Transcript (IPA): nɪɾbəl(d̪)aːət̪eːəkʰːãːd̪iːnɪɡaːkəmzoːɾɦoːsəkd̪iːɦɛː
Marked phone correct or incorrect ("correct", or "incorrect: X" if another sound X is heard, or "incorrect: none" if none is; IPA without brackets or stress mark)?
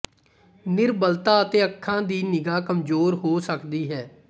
incorrect: t̪